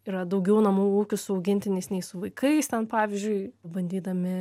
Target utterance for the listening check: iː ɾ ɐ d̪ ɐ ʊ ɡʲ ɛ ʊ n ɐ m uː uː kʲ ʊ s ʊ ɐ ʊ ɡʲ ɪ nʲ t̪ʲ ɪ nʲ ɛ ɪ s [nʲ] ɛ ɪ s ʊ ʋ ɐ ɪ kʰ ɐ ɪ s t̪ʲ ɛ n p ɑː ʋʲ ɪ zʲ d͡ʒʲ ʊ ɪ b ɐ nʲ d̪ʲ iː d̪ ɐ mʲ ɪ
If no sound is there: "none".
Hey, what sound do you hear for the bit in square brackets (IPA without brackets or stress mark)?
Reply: nʲ